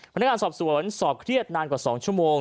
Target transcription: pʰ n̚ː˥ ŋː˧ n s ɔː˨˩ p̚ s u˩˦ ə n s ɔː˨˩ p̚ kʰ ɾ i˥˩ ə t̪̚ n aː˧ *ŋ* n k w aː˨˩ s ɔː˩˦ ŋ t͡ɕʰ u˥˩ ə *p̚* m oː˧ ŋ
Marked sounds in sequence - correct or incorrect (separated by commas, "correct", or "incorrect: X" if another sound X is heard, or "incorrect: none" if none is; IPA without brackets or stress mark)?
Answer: incorrect: none, incorrect: none